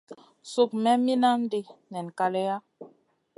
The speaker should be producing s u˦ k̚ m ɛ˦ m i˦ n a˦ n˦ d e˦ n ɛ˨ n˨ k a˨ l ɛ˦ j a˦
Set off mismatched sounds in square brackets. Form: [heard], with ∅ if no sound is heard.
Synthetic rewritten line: s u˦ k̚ m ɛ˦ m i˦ n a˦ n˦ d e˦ n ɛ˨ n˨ k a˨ l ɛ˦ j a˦

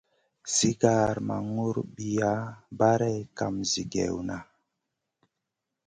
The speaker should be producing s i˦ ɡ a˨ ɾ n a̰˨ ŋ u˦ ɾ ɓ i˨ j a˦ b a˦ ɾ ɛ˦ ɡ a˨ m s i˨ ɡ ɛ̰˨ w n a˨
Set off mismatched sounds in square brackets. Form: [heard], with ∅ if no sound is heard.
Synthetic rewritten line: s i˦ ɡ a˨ ɾ [m] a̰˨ ŋ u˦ ɾ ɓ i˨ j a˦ b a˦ ɾ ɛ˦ [k] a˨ m [z] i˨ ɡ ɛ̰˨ w n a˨

